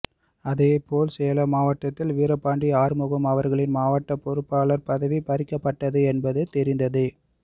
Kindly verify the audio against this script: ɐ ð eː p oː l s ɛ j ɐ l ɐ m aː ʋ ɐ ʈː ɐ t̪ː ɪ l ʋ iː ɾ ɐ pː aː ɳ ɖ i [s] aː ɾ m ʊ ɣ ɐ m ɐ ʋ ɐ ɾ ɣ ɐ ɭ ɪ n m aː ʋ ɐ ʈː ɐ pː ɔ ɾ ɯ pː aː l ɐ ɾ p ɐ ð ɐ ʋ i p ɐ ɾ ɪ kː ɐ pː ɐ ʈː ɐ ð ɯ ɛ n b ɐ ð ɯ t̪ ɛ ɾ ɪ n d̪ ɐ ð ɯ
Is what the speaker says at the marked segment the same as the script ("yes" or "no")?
no